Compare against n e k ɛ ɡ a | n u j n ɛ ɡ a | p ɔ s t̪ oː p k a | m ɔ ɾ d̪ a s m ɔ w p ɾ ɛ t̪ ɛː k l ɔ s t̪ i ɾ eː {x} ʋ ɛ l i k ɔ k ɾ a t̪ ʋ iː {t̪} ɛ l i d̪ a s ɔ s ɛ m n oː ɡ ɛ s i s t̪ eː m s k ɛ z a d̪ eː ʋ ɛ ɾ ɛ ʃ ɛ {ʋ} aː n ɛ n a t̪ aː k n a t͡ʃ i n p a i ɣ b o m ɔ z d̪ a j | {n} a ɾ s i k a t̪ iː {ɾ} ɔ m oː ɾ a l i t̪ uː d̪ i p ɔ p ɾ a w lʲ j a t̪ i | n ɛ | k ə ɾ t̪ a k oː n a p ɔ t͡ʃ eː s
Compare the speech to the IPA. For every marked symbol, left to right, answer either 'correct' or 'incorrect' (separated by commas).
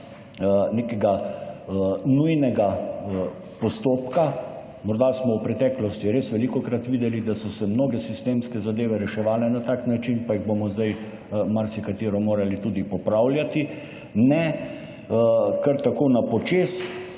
incorrect, incorrect, correct, incorrect, correct